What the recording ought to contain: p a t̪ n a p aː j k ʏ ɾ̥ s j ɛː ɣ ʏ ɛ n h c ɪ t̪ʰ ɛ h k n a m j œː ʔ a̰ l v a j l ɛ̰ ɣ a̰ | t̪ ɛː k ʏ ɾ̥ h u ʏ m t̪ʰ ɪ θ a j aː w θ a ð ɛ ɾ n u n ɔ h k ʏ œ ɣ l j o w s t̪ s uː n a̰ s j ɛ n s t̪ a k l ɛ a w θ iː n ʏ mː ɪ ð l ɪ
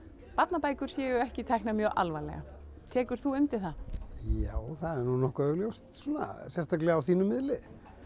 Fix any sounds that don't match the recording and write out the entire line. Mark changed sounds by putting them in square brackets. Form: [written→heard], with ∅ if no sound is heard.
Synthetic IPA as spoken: p a t̪ n a p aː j k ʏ ɾ̥ s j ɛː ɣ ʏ ɛ [n→∅] h c ɪ t̪ʰ ɛ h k n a m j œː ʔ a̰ l v a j l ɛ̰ ɣ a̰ | [t̪→t̪ʰ] ɛː k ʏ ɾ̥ [h→θ] u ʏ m [t̪ʰ→t̪] ɪ θ a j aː w θ a ð ɛ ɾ n u n ɔ h k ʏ œ ɣ l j o w s t̪ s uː n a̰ s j ɛ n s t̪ a k l ɛ a w θ iː n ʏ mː ɪ ð l ɪ